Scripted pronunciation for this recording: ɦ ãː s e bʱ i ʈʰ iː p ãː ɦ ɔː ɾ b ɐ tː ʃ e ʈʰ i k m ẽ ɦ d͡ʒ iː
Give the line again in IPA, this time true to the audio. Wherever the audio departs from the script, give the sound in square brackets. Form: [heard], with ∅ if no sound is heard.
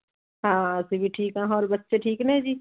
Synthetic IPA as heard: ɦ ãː s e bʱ i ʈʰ iː [k] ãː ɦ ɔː ɾ b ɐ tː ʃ e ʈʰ [iː] k [n] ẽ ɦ d͡ʒ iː